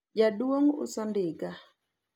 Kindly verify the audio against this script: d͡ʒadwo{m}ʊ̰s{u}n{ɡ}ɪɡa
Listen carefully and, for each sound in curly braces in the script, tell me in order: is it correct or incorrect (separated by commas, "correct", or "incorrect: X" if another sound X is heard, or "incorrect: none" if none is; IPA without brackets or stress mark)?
incorrect: ŋ, incorrect: ɔ, incorrect: d